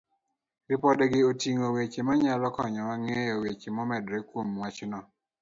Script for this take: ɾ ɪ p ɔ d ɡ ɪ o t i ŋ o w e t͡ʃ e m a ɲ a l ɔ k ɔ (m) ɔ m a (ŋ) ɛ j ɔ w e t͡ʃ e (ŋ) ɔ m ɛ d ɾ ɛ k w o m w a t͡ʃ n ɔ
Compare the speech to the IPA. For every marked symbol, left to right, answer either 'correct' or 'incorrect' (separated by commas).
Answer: incorrect, correct, incorrect